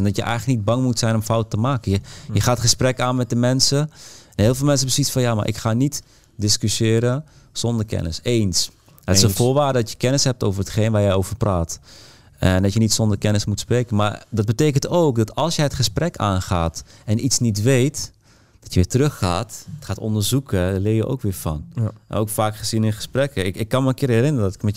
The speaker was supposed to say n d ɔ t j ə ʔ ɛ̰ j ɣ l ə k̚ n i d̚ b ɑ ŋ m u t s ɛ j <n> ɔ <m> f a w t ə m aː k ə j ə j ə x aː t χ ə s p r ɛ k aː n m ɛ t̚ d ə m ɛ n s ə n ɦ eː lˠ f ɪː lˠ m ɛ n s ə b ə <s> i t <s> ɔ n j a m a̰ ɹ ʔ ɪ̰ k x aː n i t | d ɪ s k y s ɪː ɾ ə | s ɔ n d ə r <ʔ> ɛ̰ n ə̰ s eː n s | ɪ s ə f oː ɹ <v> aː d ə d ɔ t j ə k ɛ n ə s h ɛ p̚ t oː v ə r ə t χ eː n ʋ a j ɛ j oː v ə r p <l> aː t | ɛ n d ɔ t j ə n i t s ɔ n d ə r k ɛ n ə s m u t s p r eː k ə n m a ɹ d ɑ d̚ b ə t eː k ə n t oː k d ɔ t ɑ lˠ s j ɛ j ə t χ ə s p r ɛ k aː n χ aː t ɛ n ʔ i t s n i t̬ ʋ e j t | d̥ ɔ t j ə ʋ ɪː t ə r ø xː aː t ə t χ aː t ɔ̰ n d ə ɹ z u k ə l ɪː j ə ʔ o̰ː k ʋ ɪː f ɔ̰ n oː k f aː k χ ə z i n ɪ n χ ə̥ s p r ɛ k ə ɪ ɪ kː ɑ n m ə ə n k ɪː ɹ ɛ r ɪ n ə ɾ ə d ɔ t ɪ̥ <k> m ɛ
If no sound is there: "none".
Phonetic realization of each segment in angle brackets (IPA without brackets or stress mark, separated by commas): n, m, s, f, k, ʋ, r, k